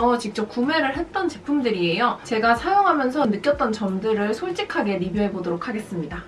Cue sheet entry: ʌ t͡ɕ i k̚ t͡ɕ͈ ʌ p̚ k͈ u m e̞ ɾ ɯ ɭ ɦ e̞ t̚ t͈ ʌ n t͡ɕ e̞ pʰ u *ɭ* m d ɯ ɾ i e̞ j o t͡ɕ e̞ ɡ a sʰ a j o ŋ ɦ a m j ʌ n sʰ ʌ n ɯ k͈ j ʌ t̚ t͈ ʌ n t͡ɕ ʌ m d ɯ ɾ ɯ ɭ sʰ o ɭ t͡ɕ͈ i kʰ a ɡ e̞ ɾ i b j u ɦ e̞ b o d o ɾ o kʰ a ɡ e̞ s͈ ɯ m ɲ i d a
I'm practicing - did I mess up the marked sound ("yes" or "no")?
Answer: yes